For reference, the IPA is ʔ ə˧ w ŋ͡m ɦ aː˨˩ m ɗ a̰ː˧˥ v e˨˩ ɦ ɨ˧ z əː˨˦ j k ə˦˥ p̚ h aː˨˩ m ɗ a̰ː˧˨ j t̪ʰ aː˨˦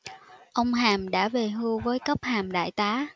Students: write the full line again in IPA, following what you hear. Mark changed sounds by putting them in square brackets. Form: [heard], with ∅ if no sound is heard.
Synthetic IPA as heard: ʔ ə˧ w ŋ͡m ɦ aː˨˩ m ɗ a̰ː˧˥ v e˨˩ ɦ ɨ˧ [v] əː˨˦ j k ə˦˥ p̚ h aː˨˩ m ɗ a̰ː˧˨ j [t̪] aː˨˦